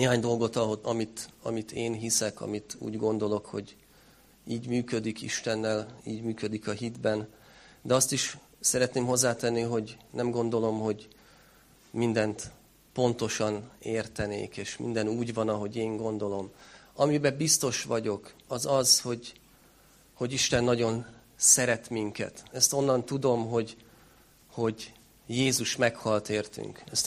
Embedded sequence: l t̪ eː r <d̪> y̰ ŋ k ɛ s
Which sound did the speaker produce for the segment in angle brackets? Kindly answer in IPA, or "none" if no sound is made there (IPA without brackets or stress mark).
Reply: t̪